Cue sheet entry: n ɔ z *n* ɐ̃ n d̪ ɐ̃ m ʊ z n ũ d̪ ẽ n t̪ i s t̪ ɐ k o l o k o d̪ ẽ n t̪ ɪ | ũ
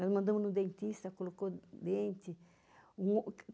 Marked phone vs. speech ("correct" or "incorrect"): incorrect